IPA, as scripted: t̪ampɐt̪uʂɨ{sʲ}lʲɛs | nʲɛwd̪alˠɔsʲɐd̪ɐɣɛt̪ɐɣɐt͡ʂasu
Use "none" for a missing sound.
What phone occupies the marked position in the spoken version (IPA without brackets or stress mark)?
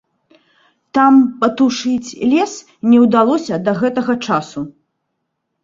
t͡sʲ